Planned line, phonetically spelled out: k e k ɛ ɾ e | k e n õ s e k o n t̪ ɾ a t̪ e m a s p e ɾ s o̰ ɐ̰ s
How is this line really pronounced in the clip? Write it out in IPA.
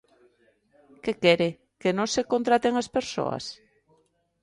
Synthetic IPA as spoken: k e k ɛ ɾ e | k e n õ s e k o n t̪ ɾ a t̪ e ŋ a s p e ɾ s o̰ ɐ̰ s

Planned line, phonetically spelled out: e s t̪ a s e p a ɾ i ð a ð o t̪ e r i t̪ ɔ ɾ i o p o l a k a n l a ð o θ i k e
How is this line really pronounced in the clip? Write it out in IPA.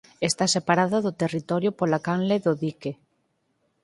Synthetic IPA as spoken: e s t̪ a s e p a ɾ a ð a ð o t̪ e r i t̪ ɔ ɾ j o p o l a k a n l e ð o ð i k e

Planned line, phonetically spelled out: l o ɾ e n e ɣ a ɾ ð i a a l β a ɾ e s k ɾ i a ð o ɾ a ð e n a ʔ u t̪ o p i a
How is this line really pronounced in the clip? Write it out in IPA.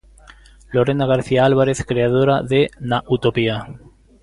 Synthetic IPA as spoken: l o ɾ e n a ɣ a ɾ θ i a a l β a ɾ e θ k ɾ e a ð o ɾ a ð e n a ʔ u t̪ o p i a

